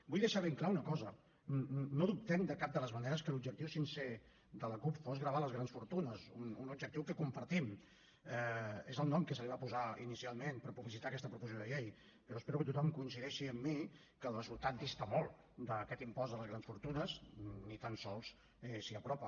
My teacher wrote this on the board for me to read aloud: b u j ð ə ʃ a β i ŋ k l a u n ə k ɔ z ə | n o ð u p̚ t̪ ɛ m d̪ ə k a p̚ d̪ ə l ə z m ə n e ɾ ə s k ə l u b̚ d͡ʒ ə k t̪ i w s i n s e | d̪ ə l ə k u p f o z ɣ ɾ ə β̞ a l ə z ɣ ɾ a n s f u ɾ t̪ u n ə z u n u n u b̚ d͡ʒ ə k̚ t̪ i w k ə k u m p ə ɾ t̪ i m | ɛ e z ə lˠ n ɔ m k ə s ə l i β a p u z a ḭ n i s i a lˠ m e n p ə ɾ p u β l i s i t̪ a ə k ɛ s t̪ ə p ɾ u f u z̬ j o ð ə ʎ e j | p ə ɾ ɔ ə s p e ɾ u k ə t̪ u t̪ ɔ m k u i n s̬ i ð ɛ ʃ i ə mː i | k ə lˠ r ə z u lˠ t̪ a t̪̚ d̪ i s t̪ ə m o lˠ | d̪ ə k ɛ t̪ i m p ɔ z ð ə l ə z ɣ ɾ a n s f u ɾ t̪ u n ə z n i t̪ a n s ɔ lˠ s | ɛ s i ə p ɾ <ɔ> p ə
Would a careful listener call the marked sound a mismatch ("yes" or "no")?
no